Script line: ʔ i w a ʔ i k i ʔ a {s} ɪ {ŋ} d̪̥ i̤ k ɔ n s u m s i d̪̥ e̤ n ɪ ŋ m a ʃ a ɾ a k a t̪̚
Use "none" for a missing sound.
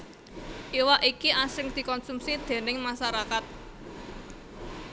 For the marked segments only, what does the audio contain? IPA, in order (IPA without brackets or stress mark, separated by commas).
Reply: s, ŋ